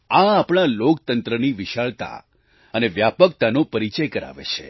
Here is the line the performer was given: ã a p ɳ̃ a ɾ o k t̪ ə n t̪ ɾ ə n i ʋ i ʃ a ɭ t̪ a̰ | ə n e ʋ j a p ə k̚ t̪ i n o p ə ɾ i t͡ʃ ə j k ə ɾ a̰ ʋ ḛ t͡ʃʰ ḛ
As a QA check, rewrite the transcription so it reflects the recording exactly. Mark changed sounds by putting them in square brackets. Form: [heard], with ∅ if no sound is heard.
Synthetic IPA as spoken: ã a p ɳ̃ a [l] o k t̪ ə n t̪ ɾ ə n i ʋ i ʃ a ɭ t̪ a̰ | ə n e ʋ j a p ə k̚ t̪ [a] n o p ə ɾ i t͡ʃ ə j k ə ɾ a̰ ʋ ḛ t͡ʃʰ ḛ